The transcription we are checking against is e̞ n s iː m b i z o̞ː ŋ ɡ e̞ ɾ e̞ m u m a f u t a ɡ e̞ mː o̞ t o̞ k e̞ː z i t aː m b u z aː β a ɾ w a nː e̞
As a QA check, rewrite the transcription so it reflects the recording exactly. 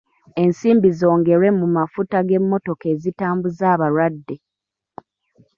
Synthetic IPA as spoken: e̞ n s iː m b i z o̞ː ŋ ɡ e̞ ɾ e̞ m u m a f u t a ɡ e̞ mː o̞ t o̞ k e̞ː z i t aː m b u z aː β a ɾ w a dː e̞